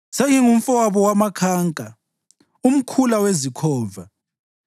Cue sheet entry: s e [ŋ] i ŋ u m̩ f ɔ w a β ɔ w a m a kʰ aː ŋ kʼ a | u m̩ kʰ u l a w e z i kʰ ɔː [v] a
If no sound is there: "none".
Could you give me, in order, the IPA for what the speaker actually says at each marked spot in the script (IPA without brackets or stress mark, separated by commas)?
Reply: ŋ, v